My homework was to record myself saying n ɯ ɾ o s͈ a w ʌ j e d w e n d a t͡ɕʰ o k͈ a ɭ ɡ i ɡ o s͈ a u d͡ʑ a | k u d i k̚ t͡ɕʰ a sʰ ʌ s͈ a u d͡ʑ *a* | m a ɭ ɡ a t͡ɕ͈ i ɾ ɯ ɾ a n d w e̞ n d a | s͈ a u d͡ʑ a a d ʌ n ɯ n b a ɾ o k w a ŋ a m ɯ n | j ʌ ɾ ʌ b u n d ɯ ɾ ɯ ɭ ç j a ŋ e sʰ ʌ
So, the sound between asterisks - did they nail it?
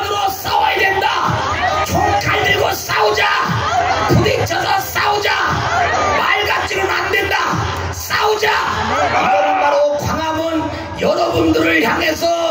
yes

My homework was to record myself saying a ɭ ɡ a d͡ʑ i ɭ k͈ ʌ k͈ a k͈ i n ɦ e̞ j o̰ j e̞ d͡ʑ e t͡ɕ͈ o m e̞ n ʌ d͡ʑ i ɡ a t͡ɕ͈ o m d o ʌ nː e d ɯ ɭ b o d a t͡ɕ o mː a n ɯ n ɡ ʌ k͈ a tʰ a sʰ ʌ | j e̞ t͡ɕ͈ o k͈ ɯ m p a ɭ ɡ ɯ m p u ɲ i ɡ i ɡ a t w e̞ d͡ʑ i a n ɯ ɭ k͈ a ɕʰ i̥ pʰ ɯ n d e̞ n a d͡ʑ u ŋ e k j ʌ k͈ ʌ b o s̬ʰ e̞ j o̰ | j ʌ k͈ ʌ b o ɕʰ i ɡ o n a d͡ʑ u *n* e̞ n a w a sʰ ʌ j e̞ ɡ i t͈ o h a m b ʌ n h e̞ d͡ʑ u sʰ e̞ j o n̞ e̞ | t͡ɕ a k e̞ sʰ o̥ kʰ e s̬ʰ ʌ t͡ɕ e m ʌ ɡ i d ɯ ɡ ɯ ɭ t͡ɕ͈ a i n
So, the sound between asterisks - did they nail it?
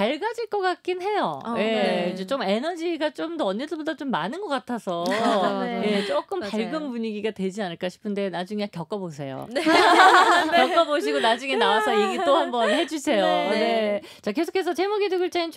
no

